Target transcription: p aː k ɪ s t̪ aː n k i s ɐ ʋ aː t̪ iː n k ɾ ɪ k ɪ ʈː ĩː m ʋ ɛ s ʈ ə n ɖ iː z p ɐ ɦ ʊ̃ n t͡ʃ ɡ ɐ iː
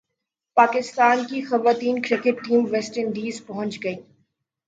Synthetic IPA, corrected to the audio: p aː k ɪ s t̪ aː n k i x ɐ ʋ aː t̪ iː n k ɾ ɪ k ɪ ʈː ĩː m ʋ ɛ s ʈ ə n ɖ iː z p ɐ ɦ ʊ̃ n t͡ʃ ɡ ɐ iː